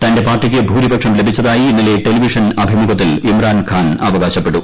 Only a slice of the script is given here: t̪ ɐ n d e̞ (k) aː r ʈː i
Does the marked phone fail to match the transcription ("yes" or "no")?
yes